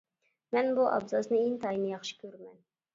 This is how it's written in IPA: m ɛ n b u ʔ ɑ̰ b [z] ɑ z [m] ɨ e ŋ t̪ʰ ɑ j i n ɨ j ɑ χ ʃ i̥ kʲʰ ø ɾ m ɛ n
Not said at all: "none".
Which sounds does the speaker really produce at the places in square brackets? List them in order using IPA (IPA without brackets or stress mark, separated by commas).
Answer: z, n